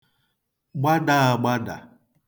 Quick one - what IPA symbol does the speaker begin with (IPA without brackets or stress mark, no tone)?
ɡ͡b